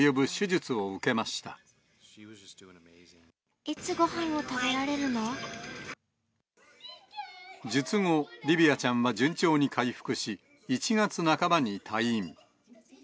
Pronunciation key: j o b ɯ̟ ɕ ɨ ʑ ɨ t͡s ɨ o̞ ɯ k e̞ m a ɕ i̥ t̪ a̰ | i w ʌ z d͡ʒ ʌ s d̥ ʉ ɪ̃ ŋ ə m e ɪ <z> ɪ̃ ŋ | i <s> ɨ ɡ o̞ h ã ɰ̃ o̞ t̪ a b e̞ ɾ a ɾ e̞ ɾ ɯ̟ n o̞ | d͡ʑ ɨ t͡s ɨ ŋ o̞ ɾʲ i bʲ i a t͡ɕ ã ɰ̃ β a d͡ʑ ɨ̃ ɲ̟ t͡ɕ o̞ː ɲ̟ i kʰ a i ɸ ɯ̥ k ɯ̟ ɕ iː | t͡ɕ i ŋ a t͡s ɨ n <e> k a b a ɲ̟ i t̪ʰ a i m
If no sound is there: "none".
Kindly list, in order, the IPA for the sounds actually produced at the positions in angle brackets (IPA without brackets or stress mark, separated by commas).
z, t͡s, a